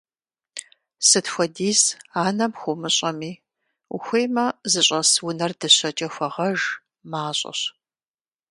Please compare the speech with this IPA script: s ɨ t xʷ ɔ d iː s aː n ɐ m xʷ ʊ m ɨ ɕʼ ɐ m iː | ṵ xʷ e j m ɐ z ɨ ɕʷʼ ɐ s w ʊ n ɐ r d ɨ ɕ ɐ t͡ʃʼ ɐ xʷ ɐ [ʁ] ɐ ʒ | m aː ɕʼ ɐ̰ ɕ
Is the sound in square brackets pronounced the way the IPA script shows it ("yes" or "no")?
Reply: yes